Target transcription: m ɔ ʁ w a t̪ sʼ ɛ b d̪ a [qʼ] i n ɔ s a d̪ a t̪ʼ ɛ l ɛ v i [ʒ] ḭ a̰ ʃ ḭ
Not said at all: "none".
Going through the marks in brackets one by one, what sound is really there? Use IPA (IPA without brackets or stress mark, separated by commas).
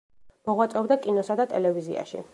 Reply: kʼ, z